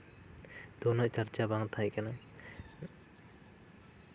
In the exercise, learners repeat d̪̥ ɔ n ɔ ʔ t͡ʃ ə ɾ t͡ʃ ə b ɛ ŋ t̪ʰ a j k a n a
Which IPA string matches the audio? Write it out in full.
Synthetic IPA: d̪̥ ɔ n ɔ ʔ t͡ʃ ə ɾ t͡ʃ a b a ŋ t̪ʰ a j k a n a